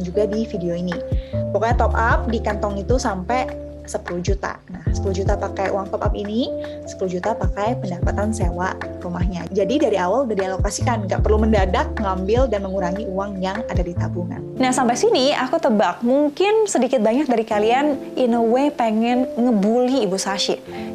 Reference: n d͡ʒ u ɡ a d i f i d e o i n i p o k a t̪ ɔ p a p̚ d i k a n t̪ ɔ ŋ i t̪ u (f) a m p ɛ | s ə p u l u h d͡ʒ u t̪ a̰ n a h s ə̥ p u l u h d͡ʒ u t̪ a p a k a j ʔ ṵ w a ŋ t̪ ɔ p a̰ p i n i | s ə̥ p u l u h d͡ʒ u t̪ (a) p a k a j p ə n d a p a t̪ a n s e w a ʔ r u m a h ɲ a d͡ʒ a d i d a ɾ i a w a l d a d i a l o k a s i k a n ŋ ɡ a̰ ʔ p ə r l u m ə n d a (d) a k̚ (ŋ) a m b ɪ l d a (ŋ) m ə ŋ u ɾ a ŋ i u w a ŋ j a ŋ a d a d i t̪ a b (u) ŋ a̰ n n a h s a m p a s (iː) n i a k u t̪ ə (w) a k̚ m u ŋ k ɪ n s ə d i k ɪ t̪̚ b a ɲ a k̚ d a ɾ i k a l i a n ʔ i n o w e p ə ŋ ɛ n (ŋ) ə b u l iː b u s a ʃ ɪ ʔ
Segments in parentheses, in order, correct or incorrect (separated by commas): incorrect, correct, correct, correct, incorrect, correct, incorrect, incorrect, correct